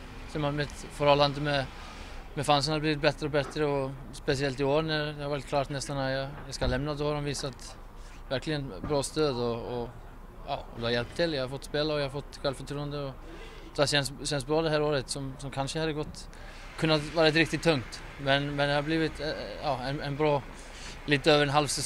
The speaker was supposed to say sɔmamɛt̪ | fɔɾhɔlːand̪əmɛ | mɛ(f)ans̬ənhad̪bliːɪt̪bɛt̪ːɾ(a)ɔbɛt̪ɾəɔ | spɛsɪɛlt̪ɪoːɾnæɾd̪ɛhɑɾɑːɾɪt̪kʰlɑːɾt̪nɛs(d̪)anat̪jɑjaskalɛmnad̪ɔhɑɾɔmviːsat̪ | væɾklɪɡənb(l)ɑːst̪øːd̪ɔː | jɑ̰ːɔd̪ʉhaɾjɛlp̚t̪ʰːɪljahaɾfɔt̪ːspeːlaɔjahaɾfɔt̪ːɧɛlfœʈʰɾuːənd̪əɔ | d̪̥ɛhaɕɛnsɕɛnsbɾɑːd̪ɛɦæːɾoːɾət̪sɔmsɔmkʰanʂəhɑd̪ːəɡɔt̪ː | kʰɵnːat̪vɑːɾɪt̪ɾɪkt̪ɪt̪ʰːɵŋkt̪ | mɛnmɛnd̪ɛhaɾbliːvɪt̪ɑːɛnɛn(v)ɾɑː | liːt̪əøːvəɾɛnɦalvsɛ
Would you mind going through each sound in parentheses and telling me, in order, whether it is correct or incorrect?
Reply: correct, incorrect, incorrect, incorrect, incorrect

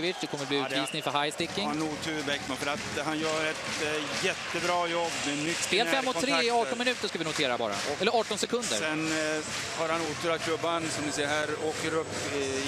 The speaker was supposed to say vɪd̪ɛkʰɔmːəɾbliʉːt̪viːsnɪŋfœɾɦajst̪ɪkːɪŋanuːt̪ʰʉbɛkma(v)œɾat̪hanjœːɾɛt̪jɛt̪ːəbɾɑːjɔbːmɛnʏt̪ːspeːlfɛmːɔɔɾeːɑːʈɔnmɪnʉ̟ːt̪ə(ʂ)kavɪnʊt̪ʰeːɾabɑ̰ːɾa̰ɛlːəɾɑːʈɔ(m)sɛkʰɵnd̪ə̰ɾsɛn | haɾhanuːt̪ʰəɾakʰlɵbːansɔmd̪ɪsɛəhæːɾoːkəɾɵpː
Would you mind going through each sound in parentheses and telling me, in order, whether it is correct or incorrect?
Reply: incorrect, correct, incorrect

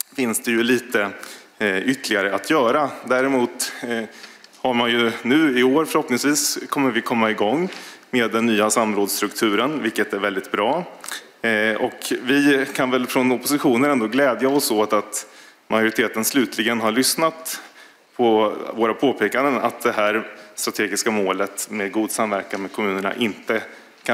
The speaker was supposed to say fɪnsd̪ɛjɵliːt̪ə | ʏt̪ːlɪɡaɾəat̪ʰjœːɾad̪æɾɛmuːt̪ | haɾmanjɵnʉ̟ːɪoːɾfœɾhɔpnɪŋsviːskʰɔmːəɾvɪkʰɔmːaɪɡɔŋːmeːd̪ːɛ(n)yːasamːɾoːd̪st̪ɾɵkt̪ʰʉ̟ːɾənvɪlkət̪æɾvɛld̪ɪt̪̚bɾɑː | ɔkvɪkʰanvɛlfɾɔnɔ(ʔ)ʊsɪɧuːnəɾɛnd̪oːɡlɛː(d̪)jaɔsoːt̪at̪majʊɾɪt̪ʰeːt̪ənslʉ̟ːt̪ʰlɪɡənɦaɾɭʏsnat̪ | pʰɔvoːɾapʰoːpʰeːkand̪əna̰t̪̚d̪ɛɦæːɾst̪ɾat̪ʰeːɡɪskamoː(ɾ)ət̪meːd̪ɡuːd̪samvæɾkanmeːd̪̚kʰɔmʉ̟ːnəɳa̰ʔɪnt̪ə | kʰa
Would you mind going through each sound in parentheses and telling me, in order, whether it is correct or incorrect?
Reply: incorrect, incorrect, correct, incorrect

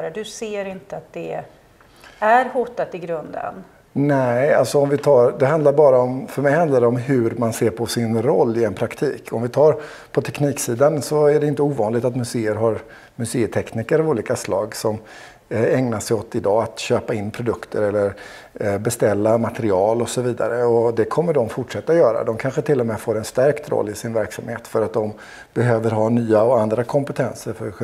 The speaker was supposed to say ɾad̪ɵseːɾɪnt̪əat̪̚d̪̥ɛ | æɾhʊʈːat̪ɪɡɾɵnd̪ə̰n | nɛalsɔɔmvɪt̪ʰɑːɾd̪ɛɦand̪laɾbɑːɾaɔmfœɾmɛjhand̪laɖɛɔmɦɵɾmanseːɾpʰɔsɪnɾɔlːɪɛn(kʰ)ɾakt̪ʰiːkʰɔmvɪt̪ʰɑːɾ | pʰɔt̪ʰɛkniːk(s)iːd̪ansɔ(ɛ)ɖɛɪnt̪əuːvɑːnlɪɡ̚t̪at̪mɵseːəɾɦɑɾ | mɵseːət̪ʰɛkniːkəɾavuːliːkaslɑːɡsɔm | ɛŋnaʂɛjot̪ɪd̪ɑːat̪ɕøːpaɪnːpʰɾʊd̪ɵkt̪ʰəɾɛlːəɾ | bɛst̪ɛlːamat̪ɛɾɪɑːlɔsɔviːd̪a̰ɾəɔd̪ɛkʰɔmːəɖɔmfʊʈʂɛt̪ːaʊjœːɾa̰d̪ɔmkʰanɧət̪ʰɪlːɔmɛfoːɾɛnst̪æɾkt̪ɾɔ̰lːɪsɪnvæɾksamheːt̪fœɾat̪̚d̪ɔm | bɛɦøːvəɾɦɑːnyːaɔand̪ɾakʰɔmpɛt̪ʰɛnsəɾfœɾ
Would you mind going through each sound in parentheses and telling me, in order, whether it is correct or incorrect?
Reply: incorrect, correct, incorrect

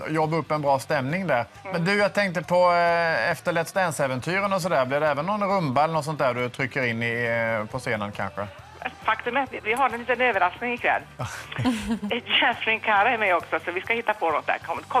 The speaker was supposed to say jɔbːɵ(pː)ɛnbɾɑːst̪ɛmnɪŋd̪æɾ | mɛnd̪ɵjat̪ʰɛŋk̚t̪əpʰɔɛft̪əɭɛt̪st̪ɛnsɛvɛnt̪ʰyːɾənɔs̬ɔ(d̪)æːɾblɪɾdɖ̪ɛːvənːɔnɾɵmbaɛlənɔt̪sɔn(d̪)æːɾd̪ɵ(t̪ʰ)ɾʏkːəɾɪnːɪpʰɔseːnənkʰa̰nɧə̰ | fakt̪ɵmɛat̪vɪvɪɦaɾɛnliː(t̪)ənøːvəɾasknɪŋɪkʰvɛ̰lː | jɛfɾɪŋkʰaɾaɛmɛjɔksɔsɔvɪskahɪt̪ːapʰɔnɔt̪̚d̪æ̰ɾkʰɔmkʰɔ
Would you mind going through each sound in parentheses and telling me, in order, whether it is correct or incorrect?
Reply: correct, correct, incorrect, correct, correct

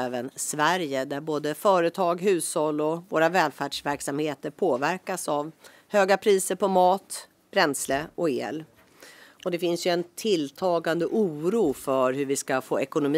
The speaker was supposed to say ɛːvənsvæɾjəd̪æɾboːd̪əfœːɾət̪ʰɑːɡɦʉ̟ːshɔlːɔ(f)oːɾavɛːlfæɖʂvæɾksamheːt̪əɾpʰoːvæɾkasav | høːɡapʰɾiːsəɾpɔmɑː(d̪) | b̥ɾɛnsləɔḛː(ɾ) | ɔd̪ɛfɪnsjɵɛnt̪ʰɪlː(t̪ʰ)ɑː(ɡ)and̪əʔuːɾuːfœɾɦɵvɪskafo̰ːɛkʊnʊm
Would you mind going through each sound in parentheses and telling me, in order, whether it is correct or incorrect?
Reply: incorrect, incorrect, incorrect, correct, correct

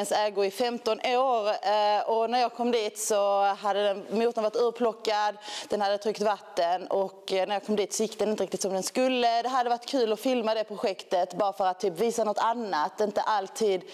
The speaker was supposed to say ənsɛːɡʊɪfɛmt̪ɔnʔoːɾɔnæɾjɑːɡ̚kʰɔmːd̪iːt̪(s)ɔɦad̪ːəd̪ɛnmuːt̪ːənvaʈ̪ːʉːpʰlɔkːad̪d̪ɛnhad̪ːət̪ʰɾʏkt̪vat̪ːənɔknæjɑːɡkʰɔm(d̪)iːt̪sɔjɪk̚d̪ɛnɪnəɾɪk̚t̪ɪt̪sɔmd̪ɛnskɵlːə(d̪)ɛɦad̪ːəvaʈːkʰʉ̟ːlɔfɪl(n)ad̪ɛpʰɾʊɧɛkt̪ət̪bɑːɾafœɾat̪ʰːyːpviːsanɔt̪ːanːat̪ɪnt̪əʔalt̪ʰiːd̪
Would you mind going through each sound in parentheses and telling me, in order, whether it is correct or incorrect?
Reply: correct, correct, correct, incorrect

